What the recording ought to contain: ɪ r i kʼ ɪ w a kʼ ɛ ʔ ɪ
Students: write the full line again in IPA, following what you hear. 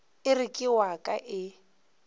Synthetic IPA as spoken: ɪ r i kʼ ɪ w a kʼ a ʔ ɪ